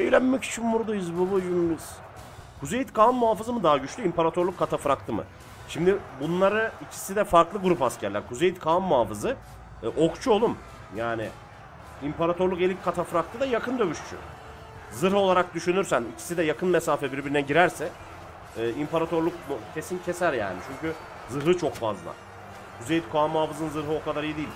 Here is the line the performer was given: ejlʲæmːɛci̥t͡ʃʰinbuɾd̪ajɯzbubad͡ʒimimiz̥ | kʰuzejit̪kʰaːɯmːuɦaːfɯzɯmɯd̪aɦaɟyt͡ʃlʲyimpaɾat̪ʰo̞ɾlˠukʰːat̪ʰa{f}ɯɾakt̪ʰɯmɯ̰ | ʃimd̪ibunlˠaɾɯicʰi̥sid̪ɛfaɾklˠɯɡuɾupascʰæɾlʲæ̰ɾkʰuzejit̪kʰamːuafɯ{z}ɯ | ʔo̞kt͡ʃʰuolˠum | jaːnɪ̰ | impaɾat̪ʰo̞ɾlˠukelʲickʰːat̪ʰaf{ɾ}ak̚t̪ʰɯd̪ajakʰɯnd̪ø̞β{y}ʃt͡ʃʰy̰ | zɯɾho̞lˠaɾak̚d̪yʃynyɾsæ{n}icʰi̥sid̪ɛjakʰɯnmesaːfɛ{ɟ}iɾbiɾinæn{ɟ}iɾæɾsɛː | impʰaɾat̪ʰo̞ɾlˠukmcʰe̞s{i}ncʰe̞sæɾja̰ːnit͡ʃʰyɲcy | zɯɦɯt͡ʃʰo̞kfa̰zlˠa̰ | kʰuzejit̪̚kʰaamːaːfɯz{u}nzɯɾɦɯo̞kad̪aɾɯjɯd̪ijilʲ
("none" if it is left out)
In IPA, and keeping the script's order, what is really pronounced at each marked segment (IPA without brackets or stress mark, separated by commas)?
f, z, ɾ, y, n, b, ɟ, i, ɯ